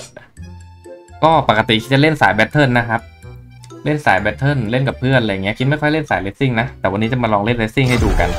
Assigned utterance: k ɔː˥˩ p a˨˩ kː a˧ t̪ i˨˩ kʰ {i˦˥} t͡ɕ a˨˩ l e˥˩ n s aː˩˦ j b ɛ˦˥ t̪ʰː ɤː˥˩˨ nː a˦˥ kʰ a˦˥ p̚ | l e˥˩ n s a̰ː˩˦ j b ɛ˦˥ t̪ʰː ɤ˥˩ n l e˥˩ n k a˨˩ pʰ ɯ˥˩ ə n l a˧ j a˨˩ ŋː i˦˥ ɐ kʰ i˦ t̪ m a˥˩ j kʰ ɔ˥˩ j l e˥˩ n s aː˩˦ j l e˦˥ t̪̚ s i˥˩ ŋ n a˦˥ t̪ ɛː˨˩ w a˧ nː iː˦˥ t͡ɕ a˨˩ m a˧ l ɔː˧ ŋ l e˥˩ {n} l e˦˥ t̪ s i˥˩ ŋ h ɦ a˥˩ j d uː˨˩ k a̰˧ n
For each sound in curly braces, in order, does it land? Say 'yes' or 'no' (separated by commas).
yes, yes